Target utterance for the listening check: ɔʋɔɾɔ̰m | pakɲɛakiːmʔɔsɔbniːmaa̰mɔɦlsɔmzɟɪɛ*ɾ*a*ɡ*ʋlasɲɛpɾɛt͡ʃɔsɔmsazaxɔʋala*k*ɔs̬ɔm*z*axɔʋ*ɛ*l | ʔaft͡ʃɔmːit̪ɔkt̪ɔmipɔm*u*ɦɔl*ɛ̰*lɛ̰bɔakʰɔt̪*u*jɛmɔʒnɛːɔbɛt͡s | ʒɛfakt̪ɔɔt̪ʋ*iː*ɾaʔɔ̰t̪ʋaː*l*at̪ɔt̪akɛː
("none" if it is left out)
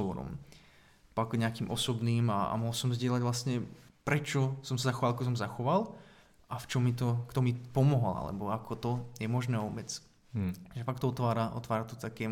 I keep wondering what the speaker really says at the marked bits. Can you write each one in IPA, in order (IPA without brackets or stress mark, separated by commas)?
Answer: l, ɟ, k, z, a, ɔ, a̰, ɔ, aː, ɾ